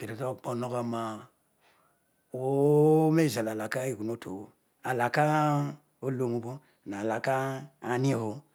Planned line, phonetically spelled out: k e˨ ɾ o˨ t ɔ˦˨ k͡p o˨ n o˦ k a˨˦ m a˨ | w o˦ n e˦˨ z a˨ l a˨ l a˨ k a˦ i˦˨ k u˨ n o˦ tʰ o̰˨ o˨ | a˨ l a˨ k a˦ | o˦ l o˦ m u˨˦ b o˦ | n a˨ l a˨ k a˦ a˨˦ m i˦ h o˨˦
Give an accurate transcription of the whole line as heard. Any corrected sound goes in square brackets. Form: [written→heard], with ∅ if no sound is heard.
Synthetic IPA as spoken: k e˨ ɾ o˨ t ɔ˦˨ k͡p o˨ n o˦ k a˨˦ m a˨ | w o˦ [n→m] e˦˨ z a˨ l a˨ l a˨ k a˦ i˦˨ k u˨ n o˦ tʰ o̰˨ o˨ | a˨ l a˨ k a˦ | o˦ l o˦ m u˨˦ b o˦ | n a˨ l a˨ k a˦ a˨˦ [m→n] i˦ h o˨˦